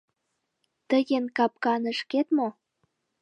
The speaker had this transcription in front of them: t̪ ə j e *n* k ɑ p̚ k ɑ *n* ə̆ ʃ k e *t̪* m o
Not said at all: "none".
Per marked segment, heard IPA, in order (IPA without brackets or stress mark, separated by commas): n, n, t̪